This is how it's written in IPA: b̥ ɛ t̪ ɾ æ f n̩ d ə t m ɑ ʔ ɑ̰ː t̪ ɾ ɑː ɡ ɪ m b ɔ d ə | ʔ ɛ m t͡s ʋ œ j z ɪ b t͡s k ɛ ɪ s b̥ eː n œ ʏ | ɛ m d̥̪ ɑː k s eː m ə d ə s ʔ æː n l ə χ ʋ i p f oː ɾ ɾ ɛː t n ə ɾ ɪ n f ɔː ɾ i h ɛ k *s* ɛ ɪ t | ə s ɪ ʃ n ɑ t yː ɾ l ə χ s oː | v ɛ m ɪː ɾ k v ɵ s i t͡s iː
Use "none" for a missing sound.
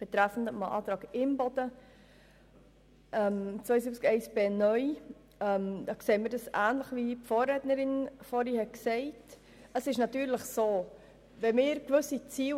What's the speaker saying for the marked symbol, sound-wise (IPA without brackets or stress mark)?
s